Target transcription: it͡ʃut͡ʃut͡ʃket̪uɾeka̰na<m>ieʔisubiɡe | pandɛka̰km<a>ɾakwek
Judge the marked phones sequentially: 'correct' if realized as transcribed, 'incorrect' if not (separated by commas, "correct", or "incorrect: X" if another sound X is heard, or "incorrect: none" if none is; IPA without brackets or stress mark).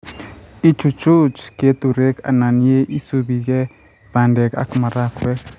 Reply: incorrect: n, correct